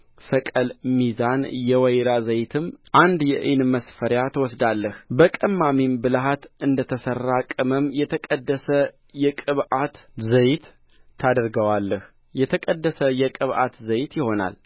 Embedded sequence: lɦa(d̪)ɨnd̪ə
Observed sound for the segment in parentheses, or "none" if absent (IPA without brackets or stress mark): t̪